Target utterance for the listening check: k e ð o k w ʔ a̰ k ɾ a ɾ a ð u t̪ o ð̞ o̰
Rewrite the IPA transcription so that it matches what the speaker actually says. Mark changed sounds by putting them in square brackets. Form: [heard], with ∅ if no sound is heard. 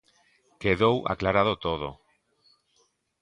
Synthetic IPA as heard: k e ð o [∅] w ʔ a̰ k [l] a ɾ a ð [o] t̪ o ð̞ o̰